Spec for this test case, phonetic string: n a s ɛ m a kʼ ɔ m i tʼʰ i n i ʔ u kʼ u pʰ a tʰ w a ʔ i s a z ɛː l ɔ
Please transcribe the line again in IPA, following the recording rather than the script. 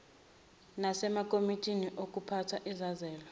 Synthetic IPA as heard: n a s ɛ m a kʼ o m i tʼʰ i n i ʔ o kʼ u pʰ a tʰ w a ʔ i z a z ɛː l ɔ